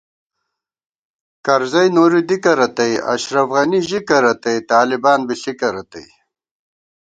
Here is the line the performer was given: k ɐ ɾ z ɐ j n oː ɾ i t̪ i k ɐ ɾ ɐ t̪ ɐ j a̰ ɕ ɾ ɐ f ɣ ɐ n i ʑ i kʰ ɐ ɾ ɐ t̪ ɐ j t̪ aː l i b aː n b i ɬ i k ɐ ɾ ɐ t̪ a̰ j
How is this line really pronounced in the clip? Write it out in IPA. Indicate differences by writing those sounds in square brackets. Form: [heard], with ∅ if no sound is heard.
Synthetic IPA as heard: k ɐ ɾ z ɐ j n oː ɾ i [d̪] i k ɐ ɾ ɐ t̪ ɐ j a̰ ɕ ɾ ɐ f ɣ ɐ n i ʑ i [k] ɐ ɾ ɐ t̪ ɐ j t̪ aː l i b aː n b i ɬ i k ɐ ɾ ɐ t̪ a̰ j